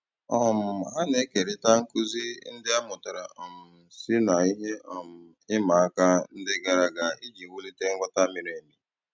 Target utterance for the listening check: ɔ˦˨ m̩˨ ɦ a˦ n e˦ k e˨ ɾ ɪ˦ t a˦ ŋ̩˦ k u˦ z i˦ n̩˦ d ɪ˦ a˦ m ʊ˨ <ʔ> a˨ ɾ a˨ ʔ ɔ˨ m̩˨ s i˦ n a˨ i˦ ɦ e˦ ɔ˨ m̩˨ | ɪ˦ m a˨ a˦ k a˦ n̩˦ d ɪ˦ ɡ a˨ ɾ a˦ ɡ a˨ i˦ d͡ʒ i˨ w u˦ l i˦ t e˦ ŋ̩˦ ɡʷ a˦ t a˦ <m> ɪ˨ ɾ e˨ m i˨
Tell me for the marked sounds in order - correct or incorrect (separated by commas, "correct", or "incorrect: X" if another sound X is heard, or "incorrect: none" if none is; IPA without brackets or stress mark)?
incorrect: t, correct